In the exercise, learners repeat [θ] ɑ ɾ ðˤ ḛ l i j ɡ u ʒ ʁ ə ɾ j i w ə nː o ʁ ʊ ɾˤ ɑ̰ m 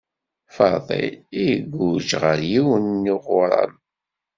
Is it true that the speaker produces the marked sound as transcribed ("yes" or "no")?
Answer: no